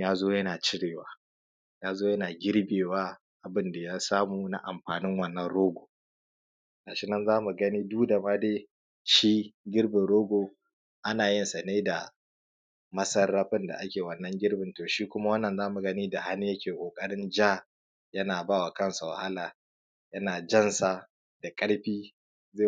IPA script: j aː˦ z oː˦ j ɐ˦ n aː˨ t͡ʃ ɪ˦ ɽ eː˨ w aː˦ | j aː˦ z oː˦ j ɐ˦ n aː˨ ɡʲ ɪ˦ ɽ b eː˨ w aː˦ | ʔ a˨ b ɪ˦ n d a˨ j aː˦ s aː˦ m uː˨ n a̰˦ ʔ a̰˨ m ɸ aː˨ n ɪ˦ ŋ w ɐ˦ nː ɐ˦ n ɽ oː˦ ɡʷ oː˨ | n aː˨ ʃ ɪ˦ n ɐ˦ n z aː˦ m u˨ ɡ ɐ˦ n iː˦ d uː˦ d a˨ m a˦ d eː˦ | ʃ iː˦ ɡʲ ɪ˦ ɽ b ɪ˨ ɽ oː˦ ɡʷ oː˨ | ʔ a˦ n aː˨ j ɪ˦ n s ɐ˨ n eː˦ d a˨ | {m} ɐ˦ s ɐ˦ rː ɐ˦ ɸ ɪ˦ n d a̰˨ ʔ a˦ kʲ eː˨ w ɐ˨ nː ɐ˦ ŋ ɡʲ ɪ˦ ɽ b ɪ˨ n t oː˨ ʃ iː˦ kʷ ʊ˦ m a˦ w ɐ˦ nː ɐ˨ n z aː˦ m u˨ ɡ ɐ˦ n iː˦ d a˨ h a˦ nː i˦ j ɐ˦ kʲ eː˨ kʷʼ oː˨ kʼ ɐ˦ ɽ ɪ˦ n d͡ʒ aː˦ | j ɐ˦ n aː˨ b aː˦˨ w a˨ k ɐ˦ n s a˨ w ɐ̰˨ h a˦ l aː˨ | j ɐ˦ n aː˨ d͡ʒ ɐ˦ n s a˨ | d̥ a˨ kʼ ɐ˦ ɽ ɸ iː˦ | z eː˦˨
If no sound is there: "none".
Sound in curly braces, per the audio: m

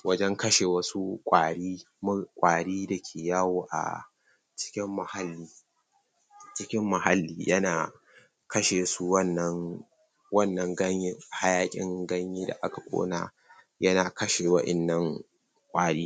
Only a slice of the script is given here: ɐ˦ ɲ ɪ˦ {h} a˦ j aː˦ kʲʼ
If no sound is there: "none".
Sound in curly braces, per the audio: h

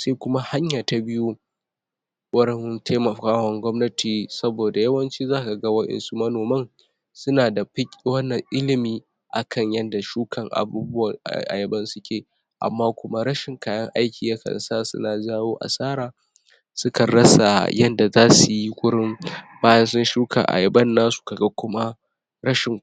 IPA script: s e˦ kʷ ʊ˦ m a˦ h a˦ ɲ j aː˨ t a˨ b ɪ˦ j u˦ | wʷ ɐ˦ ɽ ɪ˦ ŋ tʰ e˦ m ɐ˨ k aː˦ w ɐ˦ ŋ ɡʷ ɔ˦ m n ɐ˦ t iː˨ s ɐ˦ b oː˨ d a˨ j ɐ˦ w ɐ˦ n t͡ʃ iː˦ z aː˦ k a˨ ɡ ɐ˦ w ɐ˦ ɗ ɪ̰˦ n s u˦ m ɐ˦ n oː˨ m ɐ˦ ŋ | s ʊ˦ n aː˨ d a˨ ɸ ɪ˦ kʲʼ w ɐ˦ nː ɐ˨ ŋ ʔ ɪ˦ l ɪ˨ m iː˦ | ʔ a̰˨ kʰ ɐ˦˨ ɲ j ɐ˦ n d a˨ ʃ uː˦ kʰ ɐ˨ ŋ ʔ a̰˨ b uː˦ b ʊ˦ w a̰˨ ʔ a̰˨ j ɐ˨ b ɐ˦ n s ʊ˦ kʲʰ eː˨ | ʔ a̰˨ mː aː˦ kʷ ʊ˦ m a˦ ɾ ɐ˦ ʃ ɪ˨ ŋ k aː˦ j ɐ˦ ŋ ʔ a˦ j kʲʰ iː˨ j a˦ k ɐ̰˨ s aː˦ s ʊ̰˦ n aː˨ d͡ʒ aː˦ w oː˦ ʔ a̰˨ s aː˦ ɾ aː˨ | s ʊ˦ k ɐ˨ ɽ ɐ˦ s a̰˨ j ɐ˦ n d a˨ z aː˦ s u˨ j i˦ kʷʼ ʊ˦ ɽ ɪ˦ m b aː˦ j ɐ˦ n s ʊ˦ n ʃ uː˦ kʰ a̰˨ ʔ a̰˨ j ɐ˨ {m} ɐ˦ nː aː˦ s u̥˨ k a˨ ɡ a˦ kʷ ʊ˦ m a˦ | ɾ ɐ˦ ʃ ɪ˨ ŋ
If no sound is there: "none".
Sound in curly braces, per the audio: b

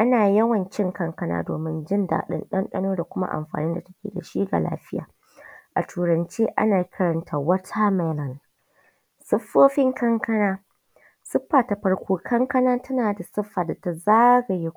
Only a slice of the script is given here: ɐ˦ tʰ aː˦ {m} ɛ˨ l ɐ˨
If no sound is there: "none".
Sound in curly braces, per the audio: m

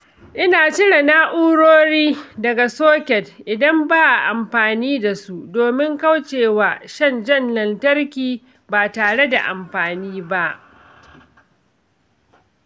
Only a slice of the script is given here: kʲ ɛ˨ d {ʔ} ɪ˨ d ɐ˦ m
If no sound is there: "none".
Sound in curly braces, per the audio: ʔ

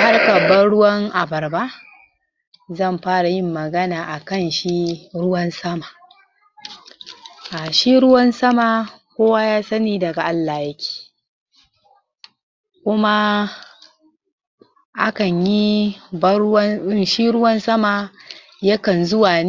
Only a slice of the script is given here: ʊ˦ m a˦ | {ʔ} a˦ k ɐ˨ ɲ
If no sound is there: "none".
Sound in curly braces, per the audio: ʔ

